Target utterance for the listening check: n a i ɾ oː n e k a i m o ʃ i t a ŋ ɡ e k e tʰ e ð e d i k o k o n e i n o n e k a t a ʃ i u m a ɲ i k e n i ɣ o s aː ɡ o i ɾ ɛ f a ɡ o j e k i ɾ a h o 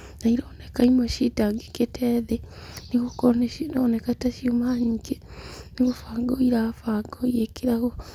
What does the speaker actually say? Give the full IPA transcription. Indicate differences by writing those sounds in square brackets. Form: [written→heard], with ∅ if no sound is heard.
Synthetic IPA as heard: n a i ɾ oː n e k a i m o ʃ i t a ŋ ɡ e k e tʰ e ð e [d→n] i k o k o n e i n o n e k a t a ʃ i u m a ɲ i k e n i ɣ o [s→f] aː ɡ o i ɾ [ɛ→a] f a ɡ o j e k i ɾ a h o

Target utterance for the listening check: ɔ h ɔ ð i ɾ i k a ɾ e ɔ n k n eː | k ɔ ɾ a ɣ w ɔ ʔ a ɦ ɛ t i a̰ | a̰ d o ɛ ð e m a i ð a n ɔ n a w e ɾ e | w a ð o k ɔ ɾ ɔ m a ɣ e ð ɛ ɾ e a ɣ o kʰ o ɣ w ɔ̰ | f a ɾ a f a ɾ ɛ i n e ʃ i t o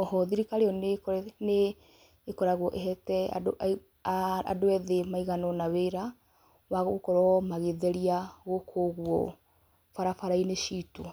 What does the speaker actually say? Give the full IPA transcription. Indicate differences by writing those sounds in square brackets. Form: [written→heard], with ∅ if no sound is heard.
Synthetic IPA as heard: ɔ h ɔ ð i ɾ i k a ɾ e ɔ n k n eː | k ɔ ɾ a ɣ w ɔ ʔ [a→e] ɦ ɛ t [i→ɛ] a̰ | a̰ d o ɛ ð e m a i [ð→ɣ] a n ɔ n a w e ɾ [e→a] | w a [ð→ɣ] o k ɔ ɾ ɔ m a ɣ e ð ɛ ɾ [e→i] a ɣ o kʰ o ɣ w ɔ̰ | f a ɾ a f a ɾ [ɛ→a] i n e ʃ i t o

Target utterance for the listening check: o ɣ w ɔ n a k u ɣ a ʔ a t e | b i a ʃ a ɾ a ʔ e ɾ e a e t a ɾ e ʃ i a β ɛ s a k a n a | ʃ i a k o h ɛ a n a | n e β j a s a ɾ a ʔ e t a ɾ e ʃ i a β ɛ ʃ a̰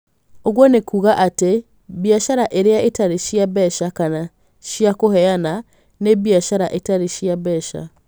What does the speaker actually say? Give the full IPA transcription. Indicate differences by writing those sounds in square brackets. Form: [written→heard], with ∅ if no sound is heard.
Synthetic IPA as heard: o ɣ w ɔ n [a→e] k u ɣ a ʔ a t e | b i a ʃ a ɾ a ʔ e ɾ e a e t a ɾ e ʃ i a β ɛ [s→ʃ] a k a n a | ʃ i a k o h ɛ a n a | n e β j a [s→ʃ] a ɾ a ʔ e t a ɾ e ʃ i a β ɛ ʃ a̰

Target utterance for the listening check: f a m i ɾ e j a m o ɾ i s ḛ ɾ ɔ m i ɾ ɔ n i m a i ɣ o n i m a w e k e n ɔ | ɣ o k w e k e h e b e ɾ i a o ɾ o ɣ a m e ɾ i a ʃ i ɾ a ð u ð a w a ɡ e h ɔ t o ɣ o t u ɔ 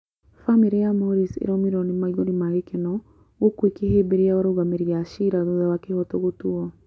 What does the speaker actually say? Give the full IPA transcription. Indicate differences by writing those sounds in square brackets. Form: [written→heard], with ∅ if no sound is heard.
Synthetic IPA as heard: f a m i ɾ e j a m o ɾ i s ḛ ɾ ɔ m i ɾ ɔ n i m a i ɣ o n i m a [w→ɣ] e k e n ɔ | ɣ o k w e k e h e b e ɾ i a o ɾ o ɣ a m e ɾ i a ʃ i ɾ a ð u ð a w a [ɡ→k] e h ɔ t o ɣ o t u ɔ

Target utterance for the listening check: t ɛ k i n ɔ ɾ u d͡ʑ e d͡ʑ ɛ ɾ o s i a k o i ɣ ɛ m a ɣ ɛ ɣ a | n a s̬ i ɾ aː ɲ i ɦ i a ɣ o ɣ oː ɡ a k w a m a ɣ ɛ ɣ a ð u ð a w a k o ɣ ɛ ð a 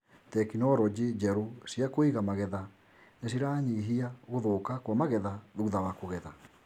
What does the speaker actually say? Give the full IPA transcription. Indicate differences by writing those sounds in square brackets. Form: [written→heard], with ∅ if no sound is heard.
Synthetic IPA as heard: t ɛ k i n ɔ ɾ [u→ɔ] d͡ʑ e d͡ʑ ɛ ɾ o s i a k o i ɣ [ɛ→a] m a ɣ ɛ [ɣ→ð] a | n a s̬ i ɾ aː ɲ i ɦ i a ɣ o [ɣ→ð] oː [ɡ→k] a k w a m a ɣ ɛ [ɣ→ð] a ð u ð a w a k o ɣ ɛ ð a

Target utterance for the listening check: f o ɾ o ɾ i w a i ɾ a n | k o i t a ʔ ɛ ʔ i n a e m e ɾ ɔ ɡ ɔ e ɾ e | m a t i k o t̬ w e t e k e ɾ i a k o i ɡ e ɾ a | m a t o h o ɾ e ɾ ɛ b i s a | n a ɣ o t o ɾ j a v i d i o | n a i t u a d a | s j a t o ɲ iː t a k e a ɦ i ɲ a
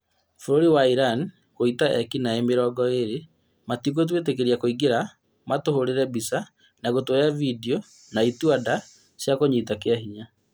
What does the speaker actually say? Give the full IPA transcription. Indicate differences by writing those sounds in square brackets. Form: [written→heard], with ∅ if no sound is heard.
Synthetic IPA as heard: f o ɾ o ɾ i w a i ɾ a n | k o i t a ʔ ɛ [ʔ→k] i n a e m e ɾ ɔ ɡ ɔ e ɾ e | m a t i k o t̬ w e t e k e ɾ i a k o i ɡ e ɾ a | m a t o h o ɾ e ɾ ɛ b i s a | n a ɣ o t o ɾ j a v i d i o | n a i t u a d a | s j a [t→k] o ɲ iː t a k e a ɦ i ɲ a

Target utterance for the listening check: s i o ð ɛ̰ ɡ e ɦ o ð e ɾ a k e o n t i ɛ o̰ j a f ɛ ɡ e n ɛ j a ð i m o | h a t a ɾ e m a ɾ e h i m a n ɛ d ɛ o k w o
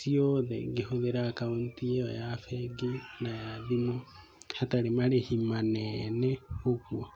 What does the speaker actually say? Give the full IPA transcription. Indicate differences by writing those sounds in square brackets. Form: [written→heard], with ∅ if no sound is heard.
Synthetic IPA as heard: s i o ð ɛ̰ ɡ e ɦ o ð e ɾ a k [e→a] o n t i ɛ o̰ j a f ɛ ɡ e n [ɛ→a] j a ð i m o | h a t a ɾ e m a ɾ e h i m a n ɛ [d→n] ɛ o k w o

